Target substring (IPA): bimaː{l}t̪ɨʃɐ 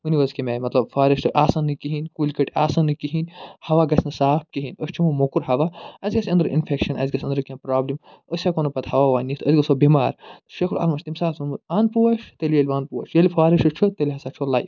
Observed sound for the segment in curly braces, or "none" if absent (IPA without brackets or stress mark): ɾ